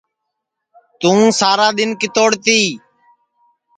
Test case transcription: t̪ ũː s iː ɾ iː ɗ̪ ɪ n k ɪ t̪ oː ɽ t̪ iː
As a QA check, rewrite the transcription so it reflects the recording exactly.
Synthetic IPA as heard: t̪ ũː s aː ɾ aː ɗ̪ ɪ n k ɪ t̪ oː ɽ t̪ iː